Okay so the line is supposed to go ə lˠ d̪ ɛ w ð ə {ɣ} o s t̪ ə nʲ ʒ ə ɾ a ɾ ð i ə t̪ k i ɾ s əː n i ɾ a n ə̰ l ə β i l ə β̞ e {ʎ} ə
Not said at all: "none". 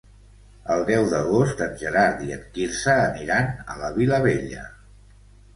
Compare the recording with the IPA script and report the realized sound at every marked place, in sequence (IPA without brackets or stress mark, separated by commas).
ɣ, ʎ